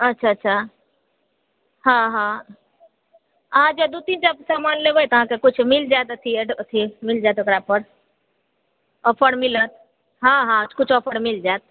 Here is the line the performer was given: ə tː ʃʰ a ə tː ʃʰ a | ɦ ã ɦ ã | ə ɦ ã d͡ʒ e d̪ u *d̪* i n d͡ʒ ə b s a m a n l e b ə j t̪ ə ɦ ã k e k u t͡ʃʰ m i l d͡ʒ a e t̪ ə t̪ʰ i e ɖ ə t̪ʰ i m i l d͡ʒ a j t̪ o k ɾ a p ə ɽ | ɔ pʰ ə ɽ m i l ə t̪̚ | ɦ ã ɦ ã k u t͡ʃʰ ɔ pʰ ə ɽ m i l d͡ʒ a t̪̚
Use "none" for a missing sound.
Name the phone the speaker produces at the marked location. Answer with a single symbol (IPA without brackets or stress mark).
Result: t̪